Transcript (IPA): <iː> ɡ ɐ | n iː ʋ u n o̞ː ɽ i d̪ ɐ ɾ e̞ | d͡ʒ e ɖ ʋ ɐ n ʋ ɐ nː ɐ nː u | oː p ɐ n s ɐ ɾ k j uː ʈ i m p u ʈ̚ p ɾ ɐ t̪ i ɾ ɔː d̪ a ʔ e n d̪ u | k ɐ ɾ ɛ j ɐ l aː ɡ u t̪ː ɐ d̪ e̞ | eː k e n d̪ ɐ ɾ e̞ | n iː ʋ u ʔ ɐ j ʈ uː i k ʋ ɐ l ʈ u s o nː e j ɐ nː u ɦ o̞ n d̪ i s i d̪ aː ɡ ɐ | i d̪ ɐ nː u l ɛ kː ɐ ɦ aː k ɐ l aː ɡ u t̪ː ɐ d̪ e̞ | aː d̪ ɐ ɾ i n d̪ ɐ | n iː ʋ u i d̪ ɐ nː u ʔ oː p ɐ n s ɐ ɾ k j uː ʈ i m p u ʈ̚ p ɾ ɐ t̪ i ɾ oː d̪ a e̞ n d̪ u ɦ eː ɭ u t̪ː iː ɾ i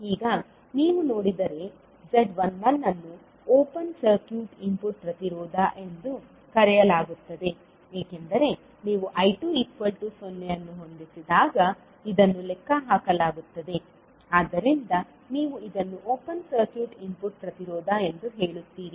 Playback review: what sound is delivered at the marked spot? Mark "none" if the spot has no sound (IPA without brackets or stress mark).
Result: iː